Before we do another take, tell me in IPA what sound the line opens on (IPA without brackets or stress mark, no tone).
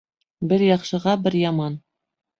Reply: b